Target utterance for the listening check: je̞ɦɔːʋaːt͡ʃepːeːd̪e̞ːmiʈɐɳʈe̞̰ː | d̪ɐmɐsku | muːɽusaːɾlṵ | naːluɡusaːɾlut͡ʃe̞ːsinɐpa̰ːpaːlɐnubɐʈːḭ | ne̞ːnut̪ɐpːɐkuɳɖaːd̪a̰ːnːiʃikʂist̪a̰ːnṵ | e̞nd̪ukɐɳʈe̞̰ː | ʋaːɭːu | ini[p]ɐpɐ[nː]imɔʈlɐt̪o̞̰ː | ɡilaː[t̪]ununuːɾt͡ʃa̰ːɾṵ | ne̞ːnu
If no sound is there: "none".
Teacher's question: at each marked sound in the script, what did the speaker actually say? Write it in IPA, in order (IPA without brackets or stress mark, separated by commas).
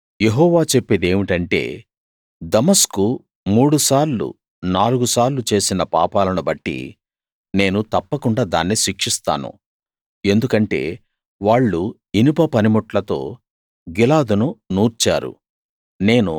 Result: p, n, d̪